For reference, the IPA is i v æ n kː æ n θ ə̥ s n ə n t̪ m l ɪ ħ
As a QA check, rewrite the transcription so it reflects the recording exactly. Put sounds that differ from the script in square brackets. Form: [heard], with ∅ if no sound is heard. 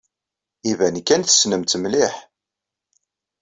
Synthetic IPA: i v æ n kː æ n θ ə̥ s n ə [m] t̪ m l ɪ ħ

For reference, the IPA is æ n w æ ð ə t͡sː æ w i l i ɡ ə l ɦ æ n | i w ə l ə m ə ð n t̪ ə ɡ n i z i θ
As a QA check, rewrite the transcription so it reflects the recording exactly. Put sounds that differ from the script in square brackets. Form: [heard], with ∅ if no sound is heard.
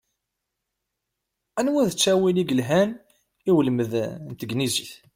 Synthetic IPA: æ n w æ ð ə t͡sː æ w i l i ɡ ə l ɦ æ n | i w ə l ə m ə ð n t̪ ə ɡ n i z i θ

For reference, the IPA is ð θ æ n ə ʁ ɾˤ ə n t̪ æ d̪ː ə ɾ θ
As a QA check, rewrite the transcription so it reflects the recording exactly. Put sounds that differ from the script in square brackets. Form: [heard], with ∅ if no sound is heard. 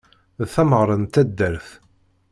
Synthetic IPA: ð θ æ [m] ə ʁ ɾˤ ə n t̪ æ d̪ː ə ɾ θ

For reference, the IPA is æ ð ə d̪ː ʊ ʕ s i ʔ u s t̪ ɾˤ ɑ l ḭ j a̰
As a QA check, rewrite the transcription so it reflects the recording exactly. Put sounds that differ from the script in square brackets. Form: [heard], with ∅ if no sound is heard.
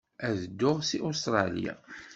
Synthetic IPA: æ ð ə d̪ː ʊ [ʁ] s i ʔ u s t̪ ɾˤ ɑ l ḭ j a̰

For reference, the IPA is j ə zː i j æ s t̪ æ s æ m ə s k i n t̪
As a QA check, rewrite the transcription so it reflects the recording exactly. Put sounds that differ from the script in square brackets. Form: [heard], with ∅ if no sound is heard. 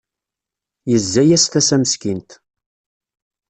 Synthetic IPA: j ə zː [æ] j æ s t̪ æ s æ m ə s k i n t̪

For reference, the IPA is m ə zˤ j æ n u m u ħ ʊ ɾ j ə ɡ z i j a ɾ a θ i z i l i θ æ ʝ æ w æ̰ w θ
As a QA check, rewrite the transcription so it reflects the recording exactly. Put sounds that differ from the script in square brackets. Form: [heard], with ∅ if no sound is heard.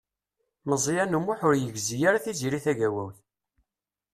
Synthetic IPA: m ə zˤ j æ n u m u ħ ʊ ɾ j ə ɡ z i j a ɾ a θ i z i [ɾ] i θ æ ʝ æ w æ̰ w θ

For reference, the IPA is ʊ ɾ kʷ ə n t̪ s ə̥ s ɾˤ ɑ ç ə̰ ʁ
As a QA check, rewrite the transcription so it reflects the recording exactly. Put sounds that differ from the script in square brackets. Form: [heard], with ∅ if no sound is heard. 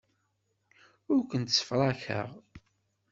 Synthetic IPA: ʊ ɾ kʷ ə n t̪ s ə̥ [f] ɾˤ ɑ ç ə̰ ʁ

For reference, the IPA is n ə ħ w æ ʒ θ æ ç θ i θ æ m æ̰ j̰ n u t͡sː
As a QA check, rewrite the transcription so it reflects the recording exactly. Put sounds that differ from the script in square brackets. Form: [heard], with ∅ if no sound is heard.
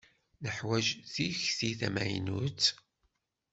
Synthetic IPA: n ə ħ w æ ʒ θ [i] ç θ i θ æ m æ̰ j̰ n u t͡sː

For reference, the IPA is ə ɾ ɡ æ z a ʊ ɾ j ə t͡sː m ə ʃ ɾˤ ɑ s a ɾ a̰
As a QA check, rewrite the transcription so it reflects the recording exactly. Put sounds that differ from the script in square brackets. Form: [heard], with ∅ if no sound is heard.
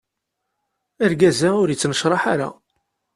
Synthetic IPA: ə ɾ ɡ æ z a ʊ ɾ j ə t͡sː [n] ə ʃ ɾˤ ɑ [ħ] a ɾ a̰

